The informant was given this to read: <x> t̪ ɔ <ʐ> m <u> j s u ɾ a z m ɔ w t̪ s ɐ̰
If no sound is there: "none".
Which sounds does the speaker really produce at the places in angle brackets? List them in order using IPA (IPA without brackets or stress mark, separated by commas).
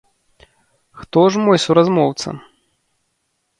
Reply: x, ʐ, ɔ